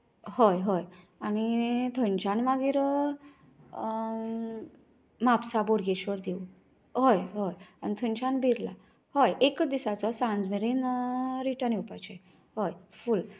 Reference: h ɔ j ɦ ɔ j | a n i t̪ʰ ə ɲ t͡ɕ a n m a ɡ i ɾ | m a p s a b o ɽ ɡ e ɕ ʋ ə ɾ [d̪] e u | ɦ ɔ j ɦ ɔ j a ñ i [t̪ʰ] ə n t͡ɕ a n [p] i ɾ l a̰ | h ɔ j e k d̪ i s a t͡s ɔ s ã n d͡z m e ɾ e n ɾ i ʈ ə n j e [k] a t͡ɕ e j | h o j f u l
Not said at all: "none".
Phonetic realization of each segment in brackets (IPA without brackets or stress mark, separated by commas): d̪, t̪ʰ, b, p